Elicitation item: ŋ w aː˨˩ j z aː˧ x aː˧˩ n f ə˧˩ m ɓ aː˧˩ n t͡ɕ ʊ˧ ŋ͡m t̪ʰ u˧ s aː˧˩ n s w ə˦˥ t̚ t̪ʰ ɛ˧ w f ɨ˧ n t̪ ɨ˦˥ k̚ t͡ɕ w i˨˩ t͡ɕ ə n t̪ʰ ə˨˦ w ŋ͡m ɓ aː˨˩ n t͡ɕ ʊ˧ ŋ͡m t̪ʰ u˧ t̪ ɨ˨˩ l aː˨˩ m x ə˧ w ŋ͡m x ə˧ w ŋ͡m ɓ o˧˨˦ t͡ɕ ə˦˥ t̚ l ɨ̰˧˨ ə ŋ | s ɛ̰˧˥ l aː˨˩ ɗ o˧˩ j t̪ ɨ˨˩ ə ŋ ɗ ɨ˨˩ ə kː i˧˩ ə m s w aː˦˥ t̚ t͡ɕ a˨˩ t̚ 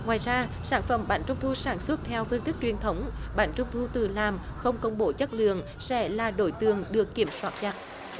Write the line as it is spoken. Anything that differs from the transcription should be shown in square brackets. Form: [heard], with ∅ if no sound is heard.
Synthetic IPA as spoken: ŋ w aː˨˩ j z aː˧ [s] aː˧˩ n f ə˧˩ m ɓ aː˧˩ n t͡ɕ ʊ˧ ŋ͡m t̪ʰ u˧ s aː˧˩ n s w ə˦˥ t̚ t̪ʰ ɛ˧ w f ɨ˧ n t̪ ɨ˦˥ k̚ t͡ɕ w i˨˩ [∅] ə n t̪ʰ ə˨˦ w ŋ͡m ɓ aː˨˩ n t͡ɕ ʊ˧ ŋ͡m t̪ʰ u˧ t̪ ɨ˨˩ l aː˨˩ m x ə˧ w ŋ͡m [k] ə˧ w ŋ͡m ɓ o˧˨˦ t͡ɕ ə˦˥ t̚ l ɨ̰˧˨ ə ŋ | s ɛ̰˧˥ l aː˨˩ ɗ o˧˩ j t̪ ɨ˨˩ ə ŋ ɗ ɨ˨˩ ə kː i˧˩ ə m s w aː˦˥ t̚ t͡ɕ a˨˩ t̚

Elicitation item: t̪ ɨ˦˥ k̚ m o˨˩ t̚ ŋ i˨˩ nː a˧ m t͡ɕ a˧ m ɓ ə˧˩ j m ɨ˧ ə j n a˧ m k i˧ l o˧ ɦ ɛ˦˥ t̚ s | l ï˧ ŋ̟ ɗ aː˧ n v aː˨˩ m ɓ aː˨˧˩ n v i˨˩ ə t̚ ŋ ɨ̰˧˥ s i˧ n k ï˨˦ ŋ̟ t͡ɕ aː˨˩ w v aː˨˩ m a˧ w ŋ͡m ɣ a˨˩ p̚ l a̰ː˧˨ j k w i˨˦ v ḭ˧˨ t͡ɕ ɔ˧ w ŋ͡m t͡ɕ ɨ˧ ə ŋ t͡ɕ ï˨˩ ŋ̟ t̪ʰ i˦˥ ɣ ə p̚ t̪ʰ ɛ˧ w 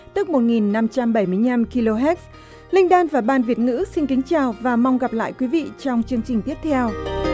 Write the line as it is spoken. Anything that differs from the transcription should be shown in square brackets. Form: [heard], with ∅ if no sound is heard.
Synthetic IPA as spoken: t̪ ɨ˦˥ k̚ m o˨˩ t̚ ŋ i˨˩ nː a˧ m t͡ɕ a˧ m ɓ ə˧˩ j m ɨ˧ ə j n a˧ m k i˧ l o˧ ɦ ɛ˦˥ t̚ s | l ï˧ ŋ̟ ɗ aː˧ n v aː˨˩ [∅] ɓ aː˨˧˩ n v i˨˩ ə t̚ ŋ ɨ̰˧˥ s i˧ n k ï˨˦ ŋ̟ t͡ɕ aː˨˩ w v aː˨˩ m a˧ w ŋ͡m ɣ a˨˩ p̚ l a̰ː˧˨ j k w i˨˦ v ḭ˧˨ t͡ɕ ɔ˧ w ŋ͡m t͡ɕ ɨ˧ ə ŋ t͡ɕ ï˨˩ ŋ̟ [t̪] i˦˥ [∅] ə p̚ t̪ʰ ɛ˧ w

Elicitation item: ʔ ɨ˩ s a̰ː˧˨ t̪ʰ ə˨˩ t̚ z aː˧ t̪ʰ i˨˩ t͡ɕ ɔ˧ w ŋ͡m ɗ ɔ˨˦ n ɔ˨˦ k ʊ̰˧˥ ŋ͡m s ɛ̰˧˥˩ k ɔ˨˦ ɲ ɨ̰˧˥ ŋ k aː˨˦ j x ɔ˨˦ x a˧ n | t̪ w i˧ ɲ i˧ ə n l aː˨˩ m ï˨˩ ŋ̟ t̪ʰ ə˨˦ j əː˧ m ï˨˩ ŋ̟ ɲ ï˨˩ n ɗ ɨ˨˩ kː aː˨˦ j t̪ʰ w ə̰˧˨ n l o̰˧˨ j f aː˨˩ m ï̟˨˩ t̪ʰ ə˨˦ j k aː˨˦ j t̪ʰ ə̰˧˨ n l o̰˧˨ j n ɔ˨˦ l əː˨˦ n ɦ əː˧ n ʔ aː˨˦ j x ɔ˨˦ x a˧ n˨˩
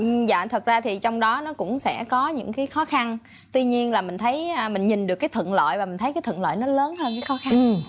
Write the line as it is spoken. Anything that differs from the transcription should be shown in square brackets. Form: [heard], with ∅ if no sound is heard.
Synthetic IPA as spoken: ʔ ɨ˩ [z] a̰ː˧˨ t̪ʰ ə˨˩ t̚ z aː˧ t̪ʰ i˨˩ t͡ɕ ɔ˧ w ŋ͡m ɗ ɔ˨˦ n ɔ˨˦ k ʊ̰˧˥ ŋ͡m s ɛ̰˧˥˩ k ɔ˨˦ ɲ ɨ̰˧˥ ŋ k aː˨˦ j x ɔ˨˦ x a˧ n | t̪ w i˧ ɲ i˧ ə n l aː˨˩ m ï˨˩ ŋ̟ t̪ʰ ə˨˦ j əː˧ m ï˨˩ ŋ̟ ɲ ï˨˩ n ɗ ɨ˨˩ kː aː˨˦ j t̪ʰ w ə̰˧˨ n l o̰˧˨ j [v] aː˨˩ m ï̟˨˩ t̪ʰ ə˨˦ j k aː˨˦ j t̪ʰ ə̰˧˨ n l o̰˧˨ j n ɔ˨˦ l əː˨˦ n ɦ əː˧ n [k] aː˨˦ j x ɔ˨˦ x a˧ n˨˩

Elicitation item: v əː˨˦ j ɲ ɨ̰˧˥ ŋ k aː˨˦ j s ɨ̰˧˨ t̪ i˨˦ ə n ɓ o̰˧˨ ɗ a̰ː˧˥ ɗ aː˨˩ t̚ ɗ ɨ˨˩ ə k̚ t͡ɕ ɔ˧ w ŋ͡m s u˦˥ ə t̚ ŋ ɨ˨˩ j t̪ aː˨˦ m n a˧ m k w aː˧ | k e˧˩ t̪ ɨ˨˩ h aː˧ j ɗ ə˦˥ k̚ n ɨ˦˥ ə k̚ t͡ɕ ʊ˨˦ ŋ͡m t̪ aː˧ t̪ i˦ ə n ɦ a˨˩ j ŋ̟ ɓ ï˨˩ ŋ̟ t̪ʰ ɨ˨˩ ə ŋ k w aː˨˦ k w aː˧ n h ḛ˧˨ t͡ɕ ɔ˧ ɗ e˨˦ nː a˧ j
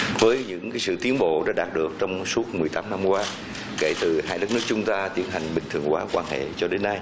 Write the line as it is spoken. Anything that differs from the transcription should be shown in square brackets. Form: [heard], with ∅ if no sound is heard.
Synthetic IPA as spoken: v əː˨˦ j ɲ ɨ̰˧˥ ŋ k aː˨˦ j s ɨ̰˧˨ t̪ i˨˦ ə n ɓ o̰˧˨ ɗ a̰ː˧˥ ɗ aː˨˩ t̚ ɗ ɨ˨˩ ə k̚ t͡ɕ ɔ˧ w ŋ͡m s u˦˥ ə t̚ [m] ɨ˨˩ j t̪ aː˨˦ m n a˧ m k w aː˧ | k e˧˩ t̪ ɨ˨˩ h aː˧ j ɗ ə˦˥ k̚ n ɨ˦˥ ə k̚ t͡ɕ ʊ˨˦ ŋ͡m t̪ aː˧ t̪ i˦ ə n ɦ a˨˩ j ŋ̟ ɓ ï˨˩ ŋ̟ t̪ʰ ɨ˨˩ ə ŋ k w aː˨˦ k w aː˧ n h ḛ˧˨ t͡ɕ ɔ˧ ɗ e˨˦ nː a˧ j

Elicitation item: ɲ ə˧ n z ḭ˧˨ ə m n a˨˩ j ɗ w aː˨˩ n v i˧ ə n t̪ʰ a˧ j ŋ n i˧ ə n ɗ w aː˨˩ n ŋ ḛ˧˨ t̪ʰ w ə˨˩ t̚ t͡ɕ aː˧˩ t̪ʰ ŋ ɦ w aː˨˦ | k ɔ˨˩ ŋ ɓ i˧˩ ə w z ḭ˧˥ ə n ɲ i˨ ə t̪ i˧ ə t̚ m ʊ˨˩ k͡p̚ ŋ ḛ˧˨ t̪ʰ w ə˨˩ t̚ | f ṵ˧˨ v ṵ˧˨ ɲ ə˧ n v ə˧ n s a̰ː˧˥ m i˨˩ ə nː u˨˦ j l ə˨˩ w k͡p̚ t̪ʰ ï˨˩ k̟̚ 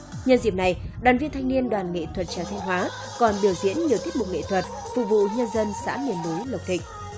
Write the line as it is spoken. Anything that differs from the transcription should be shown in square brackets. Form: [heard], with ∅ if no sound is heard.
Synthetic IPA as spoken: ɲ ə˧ n z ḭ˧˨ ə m n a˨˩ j ɗ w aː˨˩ n v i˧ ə n t̪ʰ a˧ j ŋ n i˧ ə n ɗ w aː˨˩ n ŋ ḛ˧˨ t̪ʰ w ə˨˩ t̚ t͡ɕ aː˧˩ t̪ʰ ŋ ɦ w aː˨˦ | k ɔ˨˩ [n] ɓ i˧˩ ə w z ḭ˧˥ ə n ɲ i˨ ə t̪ [i˦˥] ə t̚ m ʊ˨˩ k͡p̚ ŋ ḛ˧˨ t̪ʰ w ə˨˩ t̚ | f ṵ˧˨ v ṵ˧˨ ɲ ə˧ n [z] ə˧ n s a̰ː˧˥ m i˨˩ ə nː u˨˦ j l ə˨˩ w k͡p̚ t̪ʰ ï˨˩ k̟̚

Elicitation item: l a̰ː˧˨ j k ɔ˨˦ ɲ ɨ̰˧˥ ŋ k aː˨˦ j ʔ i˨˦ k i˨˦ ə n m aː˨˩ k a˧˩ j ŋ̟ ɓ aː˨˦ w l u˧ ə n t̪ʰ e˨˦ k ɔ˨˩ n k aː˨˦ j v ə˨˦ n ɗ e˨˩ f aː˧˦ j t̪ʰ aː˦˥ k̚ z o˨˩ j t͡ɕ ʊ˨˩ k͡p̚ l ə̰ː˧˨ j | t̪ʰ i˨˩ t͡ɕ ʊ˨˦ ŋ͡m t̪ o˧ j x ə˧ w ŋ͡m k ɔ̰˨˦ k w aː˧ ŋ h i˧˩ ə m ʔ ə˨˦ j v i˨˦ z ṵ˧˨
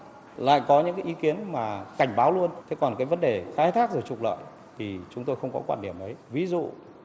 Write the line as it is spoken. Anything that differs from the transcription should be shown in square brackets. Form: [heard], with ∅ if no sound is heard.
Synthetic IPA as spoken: l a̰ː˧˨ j k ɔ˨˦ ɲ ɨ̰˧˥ ŋ k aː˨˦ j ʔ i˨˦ k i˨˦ ə n m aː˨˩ k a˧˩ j ŋ̟ ɓ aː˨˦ w l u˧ ə n t̪ʰ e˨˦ k ɔ˨˩ n k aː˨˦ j v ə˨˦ n ɗ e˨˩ [x] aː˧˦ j t̪ʰ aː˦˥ k̚ z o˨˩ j t͡ɕ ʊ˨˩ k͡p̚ l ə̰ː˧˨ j | t̪ʰ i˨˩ t͡ɕ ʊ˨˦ ŋ͡m t̪ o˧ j x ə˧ w ŋ͡m k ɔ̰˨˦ k w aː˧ [n] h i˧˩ ə m ʔ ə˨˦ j v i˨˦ z ṵ˧˨

